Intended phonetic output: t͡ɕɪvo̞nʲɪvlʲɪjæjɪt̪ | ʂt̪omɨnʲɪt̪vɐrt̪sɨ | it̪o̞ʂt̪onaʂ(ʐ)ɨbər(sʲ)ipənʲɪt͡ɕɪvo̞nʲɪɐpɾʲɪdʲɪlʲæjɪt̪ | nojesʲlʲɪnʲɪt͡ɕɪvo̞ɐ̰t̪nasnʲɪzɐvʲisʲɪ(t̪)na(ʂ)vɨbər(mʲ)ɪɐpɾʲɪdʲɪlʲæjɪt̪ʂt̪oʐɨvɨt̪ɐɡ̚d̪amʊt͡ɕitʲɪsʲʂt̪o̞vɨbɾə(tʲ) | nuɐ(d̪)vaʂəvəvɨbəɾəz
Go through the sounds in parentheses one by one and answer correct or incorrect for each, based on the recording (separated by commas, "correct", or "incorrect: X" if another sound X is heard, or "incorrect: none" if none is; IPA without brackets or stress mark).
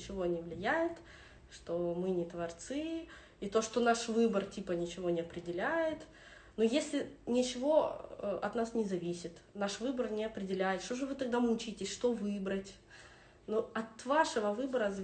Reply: incorrect: v, incorrect: tʲ, correct, correct, incorrect: nʲ, correct, incorrect: t̪